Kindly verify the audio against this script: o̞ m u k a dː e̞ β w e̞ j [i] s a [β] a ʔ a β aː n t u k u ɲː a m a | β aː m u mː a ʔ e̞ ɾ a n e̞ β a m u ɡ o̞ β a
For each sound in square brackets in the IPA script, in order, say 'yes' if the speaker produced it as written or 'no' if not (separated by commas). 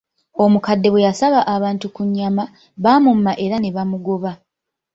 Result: no, yes